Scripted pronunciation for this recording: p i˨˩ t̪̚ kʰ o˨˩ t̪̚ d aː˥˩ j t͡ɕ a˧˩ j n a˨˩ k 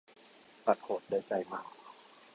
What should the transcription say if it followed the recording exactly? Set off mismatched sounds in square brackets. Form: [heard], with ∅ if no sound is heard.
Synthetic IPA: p [a˨˩] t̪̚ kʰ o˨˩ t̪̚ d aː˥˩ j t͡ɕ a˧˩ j [m] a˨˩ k

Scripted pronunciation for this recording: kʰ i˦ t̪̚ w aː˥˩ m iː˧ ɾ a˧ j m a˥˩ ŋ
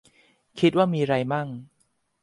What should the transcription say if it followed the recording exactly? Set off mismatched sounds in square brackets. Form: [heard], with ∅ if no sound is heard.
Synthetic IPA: kʰ i˦ t̪̚ w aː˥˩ m iː˧ ɾ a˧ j m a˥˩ ŋ

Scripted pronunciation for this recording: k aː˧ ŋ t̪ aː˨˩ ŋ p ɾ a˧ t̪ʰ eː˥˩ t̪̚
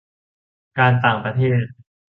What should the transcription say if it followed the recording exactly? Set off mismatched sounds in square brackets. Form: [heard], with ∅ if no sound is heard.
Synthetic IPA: k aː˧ [n] t̪ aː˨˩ ŋ p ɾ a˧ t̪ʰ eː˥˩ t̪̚

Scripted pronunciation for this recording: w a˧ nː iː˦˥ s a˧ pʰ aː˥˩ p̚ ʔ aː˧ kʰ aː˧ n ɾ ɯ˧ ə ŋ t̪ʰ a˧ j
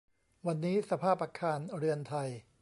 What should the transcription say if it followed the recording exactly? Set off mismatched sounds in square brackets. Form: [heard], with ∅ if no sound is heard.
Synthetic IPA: w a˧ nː iː˦˥ s a˧ pʰ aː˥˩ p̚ ʔ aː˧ kʰ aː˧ n ɾ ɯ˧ ə [n] t̪ʰ a˧ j

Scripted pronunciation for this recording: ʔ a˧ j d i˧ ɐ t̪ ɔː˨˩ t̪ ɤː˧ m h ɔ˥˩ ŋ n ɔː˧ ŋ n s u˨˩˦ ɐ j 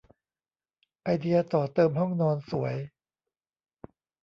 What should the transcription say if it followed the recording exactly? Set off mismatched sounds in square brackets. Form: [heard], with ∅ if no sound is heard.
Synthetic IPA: ʔ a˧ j d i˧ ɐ t̪ ɔː˨˩ t̪ ɤː˧ m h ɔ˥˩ ŋ n ɔː˧ [∅] n s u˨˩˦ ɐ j

